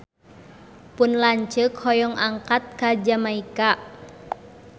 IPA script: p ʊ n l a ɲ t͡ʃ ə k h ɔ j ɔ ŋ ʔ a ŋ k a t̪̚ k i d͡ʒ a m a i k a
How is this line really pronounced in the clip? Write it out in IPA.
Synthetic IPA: p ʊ n l a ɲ t͡ʃ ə k h ɔ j ɔ ŋ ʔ a ŋ k a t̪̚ k a d͡ʒ a m a i k a